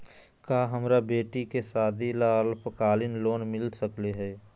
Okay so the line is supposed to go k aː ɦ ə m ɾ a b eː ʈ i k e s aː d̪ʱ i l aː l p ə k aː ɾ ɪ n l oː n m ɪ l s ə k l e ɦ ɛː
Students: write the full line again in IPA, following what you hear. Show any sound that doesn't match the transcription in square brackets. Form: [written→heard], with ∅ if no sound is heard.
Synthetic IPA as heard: k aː ɦ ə m ɾ a b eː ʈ i k e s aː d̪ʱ i l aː l p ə k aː [ɾ→l] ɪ n l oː n m ɪ l s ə k l e ɦ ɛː

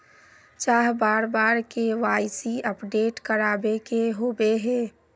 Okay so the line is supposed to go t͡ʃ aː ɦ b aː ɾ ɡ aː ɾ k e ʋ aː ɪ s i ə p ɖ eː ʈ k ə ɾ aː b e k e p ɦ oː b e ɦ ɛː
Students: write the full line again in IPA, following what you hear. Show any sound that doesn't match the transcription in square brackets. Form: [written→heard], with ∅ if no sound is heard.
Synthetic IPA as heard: t͡ʃ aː ɦ b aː ɾ [ɡ→b] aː ɾ k e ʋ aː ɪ s i ə p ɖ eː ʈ k ə ɾ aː b e k e [p→∅] ɦ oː b e ɦ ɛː

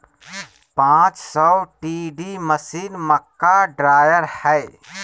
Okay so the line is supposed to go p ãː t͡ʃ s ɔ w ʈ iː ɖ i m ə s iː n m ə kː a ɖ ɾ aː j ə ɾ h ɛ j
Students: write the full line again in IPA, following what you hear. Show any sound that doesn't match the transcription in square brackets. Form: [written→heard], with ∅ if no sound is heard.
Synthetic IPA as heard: p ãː t͡ʃ s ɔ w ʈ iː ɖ i m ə s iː n m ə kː a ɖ ɾ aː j ə ɾ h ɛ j

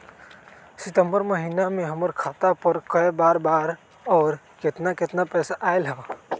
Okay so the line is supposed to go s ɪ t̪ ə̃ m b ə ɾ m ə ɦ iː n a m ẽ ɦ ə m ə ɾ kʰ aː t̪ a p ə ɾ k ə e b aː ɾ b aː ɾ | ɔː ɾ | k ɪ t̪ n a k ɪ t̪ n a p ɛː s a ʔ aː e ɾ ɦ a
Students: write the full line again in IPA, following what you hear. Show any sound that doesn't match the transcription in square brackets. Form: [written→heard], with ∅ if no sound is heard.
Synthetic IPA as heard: s ɪ t̪ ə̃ m b ə ɾ m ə ɦ iː n a m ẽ ɦ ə m ə ɾ kʰ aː t̪ a p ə ɾ k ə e b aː ɾ b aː ɾ | ɔː ɾ | k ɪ t̪ n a k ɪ t̪ n a p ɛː s a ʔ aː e [ɾ→l] ɦ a

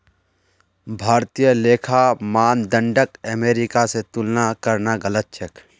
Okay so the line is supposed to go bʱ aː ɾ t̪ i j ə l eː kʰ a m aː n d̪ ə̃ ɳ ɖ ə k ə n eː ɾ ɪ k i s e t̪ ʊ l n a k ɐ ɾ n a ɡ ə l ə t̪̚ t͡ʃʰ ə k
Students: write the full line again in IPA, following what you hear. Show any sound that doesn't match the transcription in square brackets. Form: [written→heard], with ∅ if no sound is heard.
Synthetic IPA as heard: bʱ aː ɾ t̪ i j ə l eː kʰ a m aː n d̪ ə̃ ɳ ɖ ə k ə [n→m] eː ɾ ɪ k [i→a] s e t̪ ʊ l n a k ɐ ɾ n a ɡ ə l ə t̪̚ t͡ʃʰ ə k

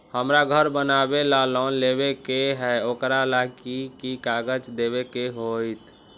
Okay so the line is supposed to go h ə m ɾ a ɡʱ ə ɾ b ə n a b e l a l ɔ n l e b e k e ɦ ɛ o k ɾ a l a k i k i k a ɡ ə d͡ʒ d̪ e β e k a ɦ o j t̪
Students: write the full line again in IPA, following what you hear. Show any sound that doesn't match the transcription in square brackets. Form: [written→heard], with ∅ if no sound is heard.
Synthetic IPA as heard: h ə m ɾ a ɡʱ ə ɾ b ə n a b e l a l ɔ n l e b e k e ɦ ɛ o k ɾ a l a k i k i k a ɡ ə d͡ʒ d̪ e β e k [a→e] ɦ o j t̪

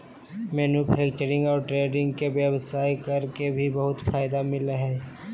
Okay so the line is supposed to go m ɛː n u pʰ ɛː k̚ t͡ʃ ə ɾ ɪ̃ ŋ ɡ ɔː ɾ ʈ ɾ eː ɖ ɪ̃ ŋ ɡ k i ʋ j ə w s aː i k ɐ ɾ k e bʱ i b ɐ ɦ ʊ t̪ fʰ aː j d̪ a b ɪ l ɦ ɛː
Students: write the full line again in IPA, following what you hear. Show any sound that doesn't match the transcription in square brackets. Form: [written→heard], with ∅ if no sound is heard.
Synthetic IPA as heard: m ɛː n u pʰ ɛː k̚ t͡ʃ ə ɾ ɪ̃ ŋ ɡ ɔː ɾ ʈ ɾ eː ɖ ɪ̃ ŋ ɡ k [i→e] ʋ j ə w s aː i k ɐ ɾ k e bʱ i b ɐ ɦ ʊ t̪ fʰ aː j d̪ a [b→m] ɪ l ɦ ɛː

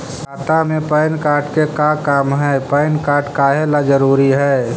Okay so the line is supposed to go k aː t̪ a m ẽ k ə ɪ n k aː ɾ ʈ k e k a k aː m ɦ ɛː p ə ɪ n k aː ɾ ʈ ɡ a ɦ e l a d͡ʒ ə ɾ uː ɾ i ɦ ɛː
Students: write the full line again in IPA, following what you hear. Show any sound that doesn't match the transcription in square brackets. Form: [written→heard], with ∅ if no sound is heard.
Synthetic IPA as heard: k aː t̪ a m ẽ [k→p] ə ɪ n k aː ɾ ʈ k e k a k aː m ɦ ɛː p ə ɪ n k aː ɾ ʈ [ɡ→k] a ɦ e l a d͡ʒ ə ɾ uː ɾ i ɦ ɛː

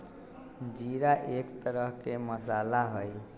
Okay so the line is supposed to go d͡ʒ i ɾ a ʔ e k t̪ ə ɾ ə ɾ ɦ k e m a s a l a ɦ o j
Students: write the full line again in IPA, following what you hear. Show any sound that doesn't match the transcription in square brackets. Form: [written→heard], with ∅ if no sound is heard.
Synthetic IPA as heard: d͡ʒ i ɾ a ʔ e k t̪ ə ɾ ə [ɾ→∅] ɦ k e m [a→ə] s a l a ɦ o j

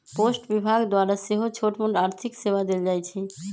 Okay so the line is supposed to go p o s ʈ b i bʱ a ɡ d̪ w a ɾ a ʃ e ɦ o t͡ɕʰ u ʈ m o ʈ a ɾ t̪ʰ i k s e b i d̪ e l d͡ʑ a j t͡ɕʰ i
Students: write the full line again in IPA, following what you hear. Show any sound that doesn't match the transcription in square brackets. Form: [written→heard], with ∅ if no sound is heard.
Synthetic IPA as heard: p o s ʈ b i bʱ a ɡ d̪ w a ɾ a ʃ e ɦ o t͡ɕʰ [u→o] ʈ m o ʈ a ɾ t̪ʰ i k s e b [i→a] d̪ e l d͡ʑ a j t͡ɕʰ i

